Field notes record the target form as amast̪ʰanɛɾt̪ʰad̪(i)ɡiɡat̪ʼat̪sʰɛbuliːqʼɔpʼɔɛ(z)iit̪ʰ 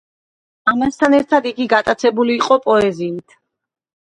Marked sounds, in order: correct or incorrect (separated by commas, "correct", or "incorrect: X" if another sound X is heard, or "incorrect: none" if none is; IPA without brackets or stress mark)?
correct, correct